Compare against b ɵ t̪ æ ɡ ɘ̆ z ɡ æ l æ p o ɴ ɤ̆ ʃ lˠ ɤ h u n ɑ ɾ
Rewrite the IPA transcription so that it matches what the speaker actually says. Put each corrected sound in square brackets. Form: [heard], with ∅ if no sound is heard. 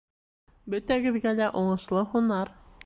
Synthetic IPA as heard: b ɵ t̪ æ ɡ ɘ̆ [ð] ɡ æ l æ [ʔ] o ɴ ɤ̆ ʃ lˠ ɤ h u n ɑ ɾ